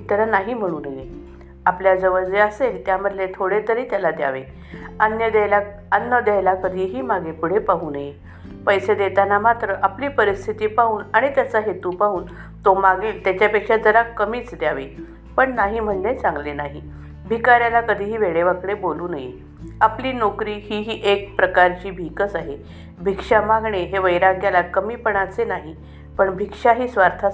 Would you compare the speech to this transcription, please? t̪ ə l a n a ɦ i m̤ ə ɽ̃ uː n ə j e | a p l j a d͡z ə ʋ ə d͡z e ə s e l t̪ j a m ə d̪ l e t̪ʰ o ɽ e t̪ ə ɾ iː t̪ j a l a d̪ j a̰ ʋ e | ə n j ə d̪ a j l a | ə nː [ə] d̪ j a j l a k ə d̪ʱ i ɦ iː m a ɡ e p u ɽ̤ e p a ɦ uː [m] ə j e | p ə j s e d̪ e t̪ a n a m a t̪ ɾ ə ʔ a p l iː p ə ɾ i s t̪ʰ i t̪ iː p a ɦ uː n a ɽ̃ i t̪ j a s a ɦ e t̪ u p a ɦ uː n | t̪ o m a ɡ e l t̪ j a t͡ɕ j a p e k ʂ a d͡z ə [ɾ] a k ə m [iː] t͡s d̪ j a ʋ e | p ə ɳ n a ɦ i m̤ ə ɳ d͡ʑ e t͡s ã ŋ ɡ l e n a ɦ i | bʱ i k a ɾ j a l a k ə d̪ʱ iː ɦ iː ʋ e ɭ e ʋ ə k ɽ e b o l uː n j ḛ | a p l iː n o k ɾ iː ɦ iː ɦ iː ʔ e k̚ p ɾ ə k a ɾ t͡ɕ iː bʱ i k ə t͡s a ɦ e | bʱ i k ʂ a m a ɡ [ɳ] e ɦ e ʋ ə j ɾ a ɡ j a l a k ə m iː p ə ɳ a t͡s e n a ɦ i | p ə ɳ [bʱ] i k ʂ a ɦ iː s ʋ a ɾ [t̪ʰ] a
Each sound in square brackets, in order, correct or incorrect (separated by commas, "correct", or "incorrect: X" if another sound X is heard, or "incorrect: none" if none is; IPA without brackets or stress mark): correct, incorrect: n, correct, correct, correct, correct, correct